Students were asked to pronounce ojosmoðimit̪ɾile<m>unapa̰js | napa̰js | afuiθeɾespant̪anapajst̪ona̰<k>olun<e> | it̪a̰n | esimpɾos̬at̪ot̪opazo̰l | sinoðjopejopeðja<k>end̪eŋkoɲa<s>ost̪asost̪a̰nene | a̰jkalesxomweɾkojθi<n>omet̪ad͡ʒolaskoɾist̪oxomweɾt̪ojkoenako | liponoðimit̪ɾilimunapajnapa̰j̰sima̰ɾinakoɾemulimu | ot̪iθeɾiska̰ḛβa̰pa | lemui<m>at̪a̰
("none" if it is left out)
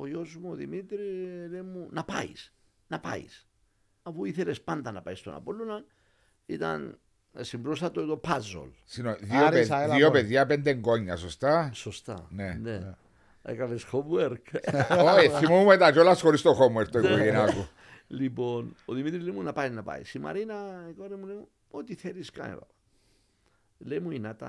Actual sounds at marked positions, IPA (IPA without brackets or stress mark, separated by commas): m, p, a, p, s, m, n